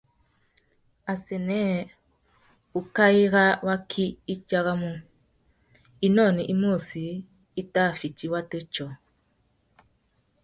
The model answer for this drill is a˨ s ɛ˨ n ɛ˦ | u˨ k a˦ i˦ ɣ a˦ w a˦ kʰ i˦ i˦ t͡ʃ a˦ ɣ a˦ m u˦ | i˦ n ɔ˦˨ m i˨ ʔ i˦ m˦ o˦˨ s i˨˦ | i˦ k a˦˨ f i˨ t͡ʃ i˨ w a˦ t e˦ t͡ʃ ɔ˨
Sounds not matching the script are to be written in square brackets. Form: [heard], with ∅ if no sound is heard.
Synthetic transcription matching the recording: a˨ s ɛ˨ n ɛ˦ | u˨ k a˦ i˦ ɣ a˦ w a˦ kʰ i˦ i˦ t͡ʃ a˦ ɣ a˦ m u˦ | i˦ n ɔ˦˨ [n] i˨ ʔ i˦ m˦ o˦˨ s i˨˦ | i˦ [t] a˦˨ f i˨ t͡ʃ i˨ w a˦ t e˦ t͡ʃ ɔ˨

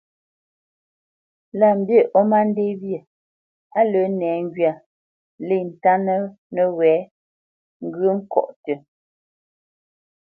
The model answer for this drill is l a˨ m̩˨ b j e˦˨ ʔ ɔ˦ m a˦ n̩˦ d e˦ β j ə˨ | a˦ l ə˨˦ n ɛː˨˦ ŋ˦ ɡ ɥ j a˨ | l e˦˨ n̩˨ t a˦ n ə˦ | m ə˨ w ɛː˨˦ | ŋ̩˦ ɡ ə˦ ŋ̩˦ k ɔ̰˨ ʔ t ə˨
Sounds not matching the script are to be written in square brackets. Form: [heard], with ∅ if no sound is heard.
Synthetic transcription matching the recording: l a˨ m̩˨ b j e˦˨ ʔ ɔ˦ m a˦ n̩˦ d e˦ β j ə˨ | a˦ l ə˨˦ n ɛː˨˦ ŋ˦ ɡ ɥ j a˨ | l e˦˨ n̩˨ t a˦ n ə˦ | [n] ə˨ w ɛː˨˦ | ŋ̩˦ ɡ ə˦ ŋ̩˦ k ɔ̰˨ ʔ t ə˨

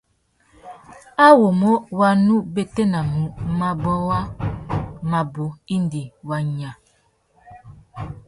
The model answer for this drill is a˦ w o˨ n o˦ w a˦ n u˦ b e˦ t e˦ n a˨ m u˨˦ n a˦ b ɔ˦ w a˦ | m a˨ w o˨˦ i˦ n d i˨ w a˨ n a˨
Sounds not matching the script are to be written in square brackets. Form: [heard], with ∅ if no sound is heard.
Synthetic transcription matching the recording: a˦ w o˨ [m] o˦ w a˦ n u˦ b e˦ t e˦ n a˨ m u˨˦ [m] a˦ b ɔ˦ w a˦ | m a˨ [b] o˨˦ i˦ n d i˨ w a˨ [ɲ] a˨

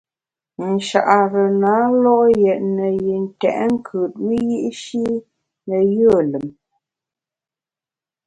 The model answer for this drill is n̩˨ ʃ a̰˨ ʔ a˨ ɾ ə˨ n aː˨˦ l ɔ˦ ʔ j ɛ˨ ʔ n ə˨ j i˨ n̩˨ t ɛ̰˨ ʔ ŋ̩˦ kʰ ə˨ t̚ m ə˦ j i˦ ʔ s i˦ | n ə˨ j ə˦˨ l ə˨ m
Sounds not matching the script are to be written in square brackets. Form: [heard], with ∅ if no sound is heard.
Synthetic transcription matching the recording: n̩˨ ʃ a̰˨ ʔ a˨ ɾ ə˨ n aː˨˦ l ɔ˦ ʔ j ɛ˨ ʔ n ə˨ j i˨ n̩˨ t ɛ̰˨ ʔ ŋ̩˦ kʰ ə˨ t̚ m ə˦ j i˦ ʔ [ʃ] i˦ | n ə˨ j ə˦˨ l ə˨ m

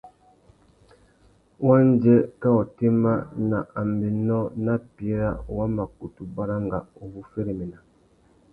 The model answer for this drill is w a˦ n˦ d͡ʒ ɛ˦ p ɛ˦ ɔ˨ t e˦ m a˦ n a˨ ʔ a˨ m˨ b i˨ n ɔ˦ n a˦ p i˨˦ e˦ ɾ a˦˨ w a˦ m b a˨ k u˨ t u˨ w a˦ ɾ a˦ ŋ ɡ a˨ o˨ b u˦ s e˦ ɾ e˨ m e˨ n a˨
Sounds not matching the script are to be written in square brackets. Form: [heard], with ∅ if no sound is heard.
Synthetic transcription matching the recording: w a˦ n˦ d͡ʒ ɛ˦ [k] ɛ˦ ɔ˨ t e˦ m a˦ n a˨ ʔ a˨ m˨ b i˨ n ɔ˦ n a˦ p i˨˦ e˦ ɾ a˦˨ w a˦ m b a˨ k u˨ t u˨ [b] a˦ ɾ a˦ ŋ ɡ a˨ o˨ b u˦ [f] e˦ ɾ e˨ m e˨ n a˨

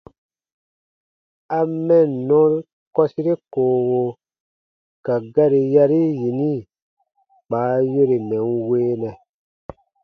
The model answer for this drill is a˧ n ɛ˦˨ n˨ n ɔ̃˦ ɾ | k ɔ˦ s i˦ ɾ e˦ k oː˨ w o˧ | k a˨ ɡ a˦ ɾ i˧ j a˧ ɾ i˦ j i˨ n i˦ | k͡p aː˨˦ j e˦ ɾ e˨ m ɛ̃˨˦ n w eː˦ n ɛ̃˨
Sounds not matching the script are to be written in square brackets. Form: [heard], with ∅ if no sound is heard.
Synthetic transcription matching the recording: a˧ [m] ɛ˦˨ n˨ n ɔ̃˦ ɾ | k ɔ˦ s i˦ ɾ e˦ k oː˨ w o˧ | k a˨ ɡ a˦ ɾ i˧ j a˧ ɾ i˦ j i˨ n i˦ | k͡p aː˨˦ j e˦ ɾ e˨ m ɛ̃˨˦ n w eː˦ n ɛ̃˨

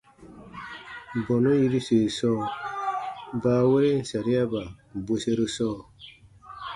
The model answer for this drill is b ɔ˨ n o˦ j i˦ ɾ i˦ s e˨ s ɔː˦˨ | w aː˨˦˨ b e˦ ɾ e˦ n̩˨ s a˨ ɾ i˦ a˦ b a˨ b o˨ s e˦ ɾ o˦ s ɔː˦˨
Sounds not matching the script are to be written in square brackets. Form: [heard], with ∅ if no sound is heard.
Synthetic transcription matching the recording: b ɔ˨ n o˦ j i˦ ɾ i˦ s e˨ s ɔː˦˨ | [b] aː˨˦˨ [w] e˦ ɾ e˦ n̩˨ s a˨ ɾ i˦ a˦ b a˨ b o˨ s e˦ ɾ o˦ s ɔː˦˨

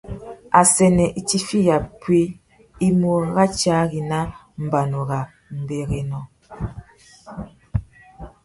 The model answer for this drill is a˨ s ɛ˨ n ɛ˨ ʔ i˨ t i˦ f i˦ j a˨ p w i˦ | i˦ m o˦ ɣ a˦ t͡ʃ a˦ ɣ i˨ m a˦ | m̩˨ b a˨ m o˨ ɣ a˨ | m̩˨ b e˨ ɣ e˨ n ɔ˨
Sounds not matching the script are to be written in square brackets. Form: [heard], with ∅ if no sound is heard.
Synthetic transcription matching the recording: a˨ s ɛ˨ n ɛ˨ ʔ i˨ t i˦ f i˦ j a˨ p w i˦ | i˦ m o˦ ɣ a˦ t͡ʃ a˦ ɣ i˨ [n] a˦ | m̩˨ b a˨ [n] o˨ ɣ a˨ | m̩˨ b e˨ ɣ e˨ n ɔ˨

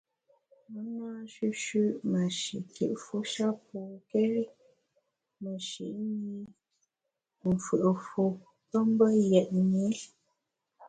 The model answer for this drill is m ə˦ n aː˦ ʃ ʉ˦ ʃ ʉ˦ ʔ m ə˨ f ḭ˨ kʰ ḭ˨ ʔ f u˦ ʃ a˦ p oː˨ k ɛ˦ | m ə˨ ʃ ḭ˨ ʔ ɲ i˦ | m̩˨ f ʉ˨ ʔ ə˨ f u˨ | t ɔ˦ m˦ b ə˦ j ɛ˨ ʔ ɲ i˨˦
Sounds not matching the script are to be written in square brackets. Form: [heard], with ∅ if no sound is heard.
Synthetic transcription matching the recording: m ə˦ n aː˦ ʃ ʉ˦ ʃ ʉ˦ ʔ m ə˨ [ʃ] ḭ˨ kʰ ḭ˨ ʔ f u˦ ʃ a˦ p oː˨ k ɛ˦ | m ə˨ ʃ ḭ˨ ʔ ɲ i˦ | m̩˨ f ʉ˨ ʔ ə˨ f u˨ | t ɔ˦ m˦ b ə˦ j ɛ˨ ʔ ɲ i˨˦

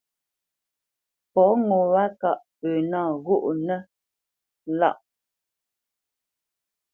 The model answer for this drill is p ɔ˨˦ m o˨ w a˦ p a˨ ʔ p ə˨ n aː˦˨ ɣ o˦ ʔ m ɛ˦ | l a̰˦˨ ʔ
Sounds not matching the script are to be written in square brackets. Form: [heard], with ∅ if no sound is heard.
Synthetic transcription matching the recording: p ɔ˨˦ [ŋ] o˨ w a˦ [k] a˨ ʔ p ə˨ n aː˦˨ ɣ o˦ ʔ [n] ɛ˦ | l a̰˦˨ ʔ

